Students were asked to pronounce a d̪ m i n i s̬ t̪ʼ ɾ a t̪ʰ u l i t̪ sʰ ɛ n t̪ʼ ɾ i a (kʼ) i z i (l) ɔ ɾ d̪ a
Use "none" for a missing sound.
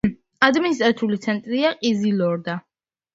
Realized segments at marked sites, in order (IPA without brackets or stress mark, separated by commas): qʼ, l